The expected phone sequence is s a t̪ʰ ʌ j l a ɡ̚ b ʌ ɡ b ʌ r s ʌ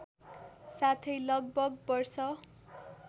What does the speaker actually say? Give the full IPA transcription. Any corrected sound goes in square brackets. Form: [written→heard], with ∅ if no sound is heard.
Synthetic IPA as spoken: s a t̪ʰ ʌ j l [a→ʌ] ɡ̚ b ʌ ɡ b ʌ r s ʌ